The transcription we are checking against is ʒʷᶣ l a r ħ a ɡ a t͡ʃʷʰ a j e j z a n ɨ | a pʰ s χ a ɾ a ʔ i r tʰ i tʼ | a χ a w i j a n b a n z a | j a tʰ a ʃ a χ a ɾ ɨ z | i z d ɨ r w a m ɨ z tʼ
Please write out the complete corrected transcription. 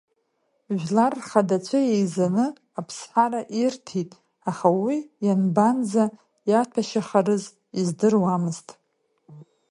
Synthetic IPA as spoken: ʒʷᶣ l a r χ a d a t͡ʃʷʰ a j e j z a n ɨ | a pʰ s ħ a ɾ a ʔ i r tʰ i tʼ | a χ a w i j a n b a n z a | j a tʰ a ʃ a χ a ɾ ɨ z | i z d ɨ r w a m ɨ z tʼ